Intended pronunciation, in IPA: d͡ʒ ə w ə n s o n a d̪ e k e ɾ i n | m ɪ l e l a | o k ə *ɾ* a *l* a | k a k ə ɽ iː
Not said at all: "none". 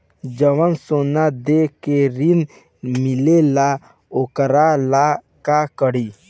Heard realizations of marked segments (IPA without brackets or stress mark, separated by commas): ɾ, l